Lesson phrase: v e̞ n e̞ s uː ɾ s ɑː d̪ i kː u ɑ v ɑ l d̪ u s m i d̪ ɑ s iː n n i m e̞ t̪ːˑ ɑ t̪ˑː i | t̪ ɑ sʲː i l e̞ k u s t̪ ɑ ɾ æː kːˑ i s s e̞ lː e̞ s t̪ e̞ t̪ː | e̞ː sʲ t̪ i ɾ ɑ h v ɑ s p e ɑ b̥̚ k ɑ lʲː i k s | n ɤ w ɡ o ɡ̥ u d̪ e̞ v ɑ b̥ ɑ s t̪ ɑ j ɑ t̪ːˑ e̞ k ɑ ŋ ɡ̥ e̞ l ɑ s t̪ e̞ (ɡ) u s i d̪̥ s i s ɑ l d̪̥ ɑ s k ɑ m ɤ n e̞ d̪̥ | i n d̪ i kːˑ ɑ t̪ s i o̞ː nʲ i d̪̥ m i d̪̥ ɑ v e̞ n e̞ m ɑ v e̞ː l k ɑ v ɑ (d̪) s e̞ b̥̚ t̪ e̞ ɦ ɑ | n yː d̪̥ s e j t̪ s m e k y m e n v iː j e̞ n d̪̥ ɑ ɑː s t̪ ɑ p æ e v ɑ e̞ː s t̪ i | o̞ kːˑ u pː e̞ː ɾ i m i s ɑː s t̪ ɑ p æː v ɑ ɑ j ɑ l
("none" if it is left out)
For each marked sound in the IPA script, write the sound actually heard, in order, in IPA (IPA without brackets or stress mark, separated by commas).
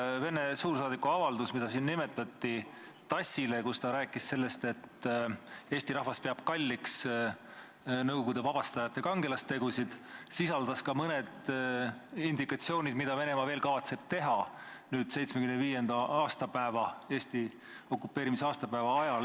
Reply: ɡ, t̪